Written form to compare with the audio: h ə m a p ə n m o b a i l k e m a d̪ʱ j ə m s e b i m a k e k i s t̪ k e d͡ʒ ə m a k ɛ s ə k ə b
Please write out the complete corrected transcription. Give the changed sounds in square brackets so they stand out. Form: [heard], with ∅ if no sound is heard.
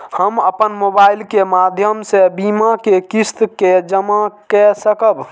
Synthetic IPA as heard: h ə m [ə] p ə n m o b a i l k e m a d̪ʱ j ə m s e b i m a k e k i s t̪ k e d͡ʒ ə m a k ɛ s ə k ə b